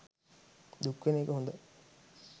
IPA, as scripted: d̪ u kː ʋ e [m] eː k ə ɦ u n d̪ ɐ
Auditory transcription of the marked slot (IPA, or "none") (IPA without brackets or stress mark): n